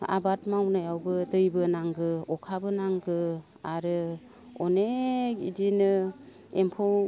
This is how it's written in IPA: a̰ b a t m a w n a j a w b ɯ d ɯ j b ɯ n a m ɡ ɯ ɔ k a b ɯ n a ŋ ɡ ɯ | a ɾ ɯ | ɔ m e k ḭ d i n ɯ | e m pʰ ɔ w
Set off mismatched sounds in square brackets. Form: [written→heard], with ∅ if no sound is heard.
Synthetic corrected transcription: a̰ b a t m a w n a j a w b ɯ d ɯ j b ɯ n a [m→ŋ] ɡ ɯ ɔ [k→kʰ] a b ɯ n a ŋ ɡ ɯ | a ɾ ɯ | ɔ [m→n] e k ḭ d i n ɯ | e m pʰ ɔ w